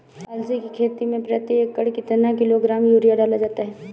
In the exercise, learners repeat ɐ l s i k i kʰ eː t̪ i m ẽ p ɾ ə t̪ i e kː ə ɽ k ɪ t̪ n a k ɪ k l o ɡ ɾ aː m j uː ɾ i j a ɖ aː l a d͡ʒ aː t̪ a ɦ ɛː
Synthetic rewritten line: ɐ l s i k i kʰ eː t̪ i m ẽ p ɾ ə t̪ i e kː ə ɽ k ɪ t̪ n a k ɪ l o ɡ ɾ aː m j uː ɾ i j a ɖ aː l a d͡ʒ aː t̪ a ɦ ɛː